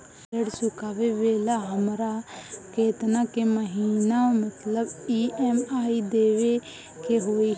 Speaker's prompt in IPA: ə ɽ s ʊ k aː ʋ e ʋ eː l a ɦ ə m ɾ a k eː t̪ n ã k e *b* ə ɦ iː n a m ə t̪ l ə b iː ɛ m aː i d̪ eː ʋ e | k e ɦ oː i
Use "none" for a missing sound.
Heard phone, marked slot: m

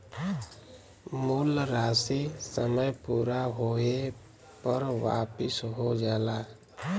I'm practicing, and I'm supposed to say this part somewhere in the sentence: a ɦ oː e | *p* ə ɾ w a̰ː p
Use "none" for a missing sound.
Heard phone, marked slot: p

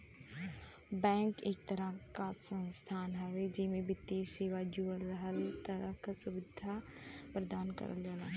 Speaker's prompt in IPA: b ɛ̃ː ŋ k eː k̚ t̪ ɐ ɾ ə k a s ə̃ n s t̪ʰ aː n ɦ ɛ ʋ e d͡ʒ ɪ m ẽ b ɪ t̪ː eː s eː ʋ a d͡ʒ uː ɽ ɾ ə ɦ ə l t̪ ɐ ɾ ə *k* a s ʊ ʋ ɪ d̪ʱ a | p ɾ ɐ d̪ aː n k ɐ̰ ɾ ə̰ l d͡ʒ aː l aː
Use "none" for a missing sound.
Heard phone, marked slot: k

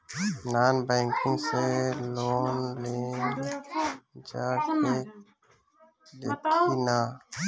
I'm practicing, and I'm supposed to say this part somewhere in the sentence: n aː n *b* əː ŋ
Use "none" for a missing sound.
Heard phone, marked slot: b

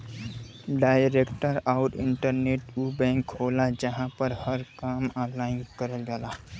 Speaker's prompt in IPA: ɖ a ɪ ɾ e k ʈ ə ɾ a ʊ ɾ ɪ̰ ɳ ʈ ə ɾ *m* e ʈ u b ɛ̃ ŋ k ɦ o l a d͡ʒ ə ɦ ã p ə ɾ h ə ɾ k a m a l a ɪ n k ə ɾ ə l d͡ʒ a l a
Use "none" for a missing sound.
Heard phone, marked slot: n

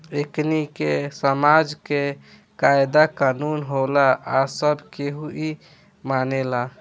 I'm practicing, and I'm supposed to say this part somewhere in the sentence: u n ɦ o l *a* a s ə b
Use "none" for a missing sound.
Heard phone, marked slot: a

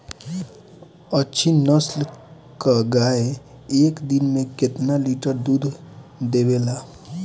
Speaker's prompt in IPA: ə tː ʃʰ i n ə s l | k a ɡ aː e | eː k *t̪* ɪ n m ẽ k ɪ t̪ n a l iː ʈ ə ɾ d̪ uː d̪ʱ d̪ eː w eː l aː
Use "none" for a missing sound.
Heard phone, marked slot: d̪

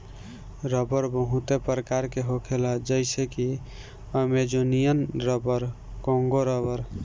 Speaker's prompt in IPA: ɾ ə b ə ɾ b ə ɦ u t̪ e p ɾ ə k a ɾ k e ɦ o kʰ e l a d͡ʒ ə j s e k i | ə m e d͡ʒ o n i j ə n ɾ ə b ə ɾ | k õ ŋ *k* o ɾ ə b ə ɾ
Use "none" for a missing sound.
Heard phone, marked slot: ɡ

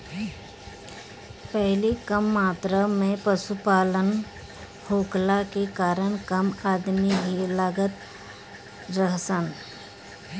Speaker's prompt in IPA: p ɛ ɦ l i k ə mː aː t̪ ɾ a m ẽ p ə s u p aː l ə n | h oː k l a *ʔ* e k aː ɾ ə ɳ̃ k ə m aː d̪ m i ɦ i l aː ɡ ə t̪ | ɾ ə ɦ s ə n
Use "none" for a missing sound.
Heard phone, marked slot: k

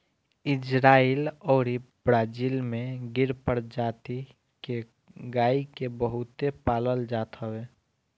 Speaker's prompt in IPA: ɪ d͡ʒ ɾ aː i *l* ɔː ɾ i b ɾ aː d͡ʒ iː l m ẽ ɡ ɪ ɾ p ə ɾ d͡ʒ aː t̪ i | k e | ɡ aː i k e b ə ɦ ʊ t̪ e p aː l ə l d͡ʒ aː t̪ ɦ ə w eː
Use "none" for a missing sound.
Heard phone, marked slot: l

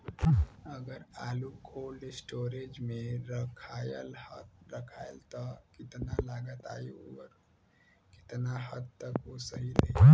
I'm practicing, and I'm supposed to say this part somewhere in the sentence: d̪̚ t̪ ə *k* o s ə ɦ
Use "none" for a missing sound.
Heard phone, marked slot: k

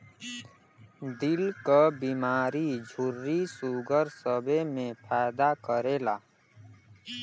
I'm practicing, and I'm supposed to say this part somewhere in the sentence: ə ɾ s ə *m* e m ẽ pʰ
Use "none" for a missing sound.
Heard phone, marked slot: b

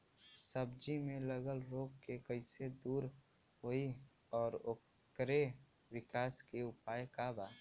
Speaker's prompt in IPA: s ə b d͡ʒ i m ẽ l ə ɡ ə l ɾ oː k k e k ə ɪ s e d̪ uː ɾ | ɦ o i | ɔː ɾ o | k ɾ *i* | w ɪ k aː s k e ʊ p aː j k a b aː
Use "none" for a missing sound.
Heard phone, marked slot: e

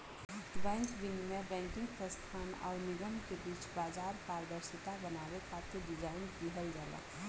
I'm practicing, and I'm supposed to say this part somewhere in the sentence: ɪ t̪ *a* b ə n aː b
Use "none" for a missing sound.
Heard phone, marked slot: a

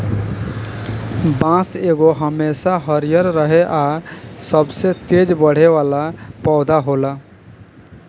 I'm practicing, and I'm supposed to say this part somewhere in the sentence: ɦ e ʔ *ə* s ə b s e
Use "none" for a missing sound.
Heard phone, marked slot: a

